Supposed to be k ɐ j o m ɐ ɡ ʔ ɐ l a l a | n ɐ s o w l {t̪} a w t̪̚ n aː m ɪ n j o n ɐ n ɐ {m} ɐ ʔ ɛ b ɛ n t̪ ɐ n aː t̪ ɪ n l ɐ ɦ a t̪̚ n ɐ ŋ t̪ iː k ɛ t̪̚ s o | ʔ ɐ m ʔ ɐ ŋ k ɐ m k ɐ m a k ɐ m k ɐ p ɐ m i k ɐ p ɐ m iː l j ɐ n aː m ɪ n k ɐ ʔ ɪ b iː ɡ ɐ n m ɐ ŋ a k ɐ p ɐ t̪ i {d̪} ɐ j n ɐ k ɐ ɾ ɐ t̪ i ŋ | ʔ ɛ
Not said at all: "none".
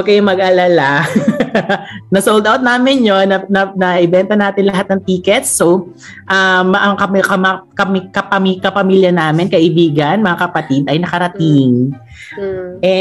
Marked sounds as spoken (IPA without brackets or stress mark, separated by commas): d̪, n, d̪